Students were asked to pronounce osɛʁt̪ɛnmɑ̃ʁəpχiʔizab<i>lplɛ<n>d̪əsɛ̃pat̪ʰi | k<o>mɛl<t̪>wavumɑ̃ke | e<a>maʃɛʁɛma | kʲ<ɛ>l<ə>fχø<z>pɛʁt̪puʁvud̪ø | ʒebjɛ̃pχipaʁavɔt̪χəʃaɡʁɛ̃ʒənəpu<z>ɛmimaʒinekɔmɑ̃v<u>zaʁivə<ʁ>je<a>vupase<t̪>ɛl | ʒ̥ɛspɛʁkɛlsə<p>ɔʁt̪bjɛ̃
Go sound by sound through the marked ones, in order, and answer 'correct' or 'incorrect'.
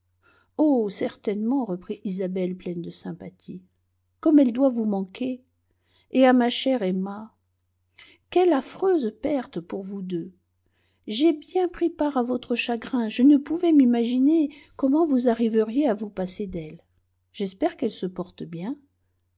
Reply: incorrect: ɛ, correct, incorrect: ɔ, incorrect: d̪, correct, correct, incorrect: a, correct, incorrect: v, correct, correct, correct, incorrect: d̪, correct

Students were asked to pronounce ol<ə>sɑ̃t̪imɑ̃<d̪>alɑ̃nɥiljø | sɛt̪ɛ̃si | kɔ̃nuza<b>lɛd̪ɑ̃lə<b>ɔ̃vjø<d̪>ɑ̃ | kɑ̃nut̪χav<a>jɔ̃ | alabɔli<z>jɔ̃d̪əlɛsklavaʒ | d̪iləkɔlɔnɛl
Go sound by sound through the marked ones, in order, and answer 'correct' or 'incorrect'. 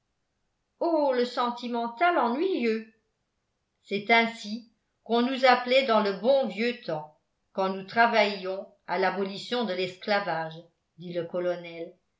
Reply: correct, incorrect: t̪, incorrect: p, correct, incorrect: t̪, correct, incorrect: s

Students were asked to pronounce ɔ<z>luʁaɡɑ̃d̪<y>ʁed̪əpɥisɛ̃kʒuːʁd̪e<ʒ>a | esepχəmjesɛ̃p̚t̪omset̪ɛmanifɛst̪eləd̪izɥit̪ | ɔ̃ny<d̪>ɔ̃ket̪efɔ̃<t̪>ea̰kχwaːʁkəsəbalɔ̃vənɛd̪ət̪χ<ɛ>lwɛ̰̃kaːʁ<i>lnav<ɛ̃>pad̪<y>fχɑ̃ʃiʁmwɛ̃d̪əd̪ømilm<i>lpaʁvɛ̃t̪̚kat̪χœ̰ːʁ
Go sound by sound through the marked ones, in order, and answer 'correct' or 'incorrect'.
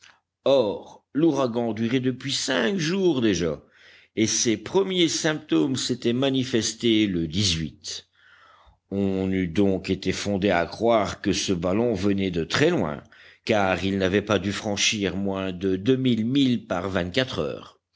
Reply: incorrect: ʁ, correct, correct, correct, incorrect: d̪, correct, correct, incorrect: ɛ, correct, correct

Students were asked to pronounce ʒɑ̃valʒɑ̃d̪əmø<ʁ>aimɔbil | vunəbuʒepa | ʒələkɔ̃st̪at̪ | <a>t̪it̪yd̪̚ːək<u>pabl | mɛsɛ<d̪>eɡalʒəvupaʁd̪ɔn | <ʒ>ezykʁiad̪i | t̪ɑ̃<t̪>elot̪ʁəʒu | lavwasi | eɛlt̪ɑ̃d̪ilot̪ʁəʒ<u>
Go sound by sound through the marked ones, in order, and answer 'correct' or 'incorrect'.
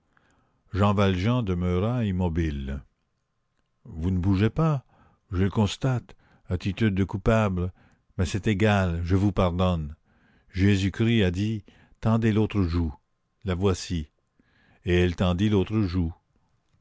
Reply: correct, correct, correct, incorrect: t̪, correct, incorrect: d̪, correct

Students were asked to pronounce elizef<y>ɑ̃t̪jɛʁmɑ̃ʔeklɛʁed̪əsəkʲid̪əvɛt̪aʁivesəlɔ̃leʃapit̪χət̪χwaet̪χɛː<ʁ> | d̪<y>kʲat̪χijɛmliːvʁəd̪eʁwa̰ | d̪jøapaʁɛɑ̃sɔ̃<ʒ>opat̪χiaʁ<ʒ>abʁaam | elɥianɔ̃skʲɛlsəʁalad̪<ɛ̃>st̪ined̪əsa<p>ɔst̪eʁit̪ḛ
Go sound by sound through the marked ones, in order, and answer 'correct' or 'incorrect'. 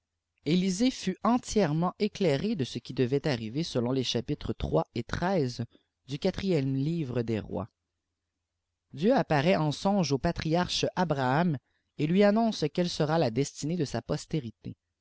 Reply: correct, incorrect: z, correct, correct, incorrect: ʃ, incorrect: ɛ, correct

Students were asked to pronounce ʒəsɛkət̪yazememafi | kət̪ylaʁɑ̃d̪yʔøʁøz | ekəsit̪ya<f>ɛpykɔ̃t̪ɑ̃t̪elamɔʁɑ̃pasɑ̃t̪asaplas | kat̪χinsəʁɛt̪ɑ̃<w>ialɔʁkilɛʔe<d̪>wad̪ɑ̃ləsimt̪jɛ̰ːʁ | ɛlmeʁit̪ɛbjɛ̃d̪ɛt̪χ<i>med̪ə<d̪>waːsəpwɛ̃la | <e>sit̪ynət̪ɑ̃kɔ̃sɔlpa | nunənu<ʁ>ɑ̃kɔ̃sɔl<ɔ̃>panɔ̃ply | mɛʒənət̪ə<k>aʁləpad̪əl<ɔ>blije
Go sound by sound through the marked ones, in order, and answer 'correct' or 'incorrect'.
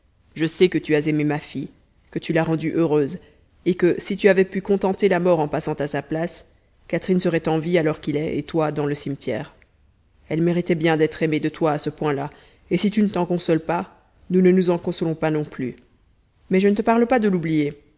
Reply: incorrect: v, incorrect: v, incorrect: t̪, incorrect: e, incorrect: t̪, correct, incorrect: z, correct, incorrect: p, incorrect: u

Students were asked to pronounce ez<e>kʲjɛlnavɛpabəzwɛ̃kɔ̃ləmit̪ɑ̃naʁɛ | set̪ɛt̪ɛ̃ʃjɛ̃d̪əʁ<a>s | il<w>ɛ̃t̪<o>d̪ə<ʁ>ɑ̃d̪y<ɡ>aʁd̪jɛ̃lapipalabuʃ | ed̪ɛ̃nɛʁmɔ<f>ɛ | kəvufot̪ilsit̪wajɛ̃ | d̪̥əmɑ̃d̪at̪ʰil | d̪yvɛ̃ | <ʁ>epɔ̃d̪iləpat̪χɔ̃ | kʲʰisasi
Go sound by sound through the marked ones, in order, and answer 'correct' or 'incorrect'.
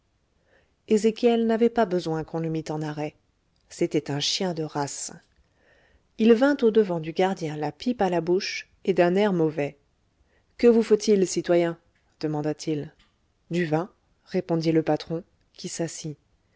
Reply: correct, correct, incorrect: v, correct, incorrect: v, correct, incorrect: v, correct

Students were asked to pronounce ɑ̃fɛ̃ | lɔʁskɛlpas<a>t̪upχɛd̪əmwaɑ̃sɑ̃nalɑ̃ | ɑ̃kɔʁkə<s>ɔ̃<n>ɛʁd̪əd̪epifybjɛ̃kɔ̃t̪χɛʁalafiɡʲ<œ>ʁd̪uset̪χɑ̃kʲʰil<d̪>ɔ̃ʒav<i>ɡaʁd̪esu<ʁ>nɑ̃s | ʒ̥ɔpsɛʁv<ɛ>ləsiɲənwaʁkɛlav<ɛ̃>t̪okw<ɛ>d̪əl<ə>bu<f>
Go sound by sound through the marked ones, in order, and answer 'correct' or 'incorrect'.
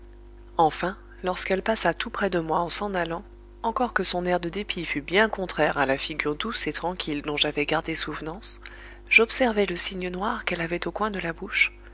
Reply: correct, correct, correct, incorrect: y, correct, incorrect: ɛ, incorrect: v, correct, incorrect: ɛ, incorrect: ɛ̃, incorrect: a, incorrect: ʃ

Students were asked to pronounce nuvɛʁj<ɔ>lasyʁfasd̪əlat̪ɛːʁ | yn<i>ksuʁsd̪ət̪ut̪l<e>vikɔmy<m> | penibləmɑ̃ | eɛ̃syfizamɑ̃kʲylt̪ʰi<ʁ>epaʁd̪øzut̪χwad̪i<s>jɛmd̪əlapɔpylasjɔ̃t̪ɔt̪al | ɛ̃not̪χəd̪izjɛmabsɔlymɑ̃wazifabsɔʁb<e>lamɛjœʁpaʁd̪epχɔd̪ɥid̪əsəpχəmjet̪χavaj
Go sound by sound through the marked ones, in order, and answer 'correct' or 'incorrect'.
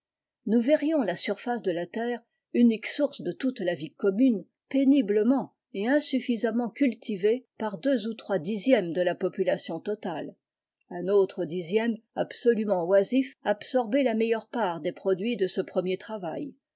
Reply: incorrect: ɔ̃, correct, incorrect: a, incorrect: n, incorrect: v, incorrect: z, correct

